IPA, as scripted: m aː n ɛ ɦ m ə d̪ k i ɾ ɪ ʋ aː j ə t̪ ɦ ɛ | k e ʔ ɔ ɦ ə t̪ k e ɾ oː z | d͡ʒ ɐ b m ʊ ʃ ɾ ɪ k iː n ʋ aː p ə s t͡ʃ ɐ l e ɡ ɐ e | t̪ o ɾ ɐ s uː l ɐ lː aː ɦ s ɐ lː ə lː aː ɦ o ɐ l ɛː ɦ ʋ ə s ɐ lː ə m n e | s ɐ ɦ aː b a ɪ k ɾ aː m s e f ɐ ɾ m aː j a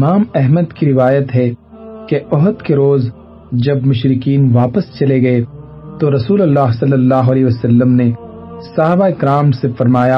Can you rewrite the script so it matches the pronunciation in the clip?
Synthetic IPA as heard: m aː m ɛ ɦ m ə d̪ k i ɾ ɪ ʋ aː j ə t̪ ɦ ɛ | k e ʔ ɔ ɦ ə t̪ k e ɾ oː z | d͡ʒ ɐ b m ʊ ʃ ɾ ɪ k iː n ʋ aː p ə s t͡ʃ ɐ l e ɡ ɐ e | t̪ o ɾ ɐ s uː l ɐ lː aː ɦ s ɐ lː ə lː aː ɦ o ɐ l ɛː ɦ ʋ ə s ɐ lː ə m n e | s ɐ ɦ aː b a ɪ k ɾ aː m s e f ɐ ɾ m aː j a